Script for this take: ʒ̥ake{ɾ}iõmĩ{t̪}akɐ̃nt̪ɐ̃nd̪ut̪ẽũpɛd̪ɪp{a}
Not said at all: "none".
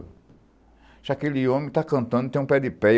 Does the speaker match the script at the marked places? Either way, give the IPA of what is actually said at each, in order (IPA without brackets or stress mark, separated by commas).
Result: l, t̪, ɛ